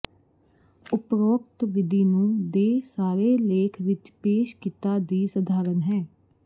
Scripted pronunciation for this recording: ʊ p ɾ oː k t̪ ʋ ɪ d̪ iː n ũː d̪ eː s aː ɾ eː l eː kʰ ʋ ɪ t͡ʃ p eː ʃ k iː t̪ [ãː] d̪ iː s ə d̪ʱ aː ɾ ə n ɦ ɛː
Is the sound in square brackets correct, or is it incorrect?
incorrect